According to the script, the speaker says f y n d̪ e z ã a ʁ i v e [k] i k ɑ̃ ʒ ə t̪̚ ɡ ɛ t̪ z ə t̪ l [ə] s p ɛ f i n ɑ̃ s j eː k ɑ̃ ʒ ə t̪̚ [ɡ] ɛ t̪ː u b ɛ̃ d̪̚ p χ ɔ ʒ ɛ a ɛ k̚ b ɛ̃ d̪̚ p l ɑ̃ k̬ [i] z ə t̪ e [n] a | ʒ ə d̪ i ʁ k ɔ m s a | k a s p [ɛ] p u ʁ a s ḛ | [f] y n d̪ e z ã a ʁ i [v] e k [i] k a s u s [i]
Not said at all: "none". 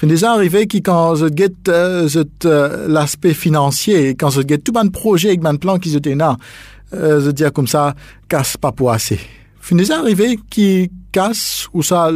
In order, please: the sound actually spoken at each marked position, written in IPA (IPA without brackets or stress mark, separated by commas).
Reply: k, a, ɡ, i, n, a, f, v, i, a